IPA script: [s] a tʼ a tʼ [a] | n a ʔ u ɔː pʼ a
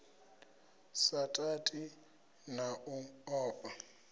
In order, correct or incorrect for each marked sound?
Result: correct, incorrect: i

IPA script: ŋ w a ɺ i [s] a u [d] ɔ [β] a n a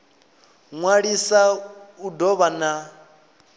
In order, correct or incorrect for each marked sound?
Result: correct, correct, correct

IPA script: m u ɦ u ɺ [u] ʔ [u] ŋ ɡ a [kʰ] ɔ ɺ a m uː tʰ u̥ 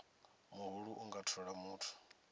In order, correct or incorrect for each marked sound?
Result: correct, correct, incorrect: tʰ

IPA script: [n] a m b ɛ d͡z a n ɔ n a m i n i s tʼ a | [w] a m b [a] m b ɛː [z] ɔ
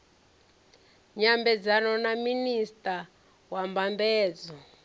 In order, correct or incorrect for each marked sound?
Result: incorrect: ɲ, correct, correct, incorrect: d͡z

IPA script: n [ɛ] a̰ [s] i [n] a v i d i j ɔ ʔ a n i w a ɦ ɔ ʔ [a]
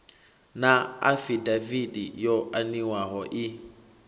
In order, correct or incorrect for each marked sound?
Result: incorrect: a, incorrect: f, incorrect: d, incorrect: i

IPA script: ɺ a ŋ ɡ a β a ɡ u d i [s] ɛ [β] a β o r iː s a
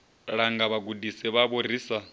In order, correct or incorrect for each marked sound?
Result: correct, correct

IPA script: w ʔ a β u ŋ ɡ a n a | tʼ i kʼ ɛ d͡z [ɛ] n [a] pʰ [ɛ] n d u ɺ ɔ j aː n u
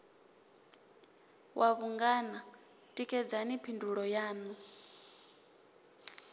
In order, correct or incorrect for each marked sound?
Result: incorrect: a, incorrect: i, incorrect: i

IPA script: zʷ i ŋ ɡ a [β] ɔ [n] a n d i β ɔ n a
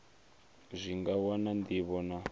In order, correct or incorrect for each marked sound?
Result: incorrect: w, correct

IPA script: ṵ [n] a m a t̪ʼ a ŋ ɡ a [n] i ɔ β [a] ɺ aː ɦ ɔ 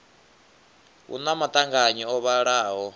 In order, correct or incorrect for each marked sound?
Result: correct, incorrect: ɲ, correct

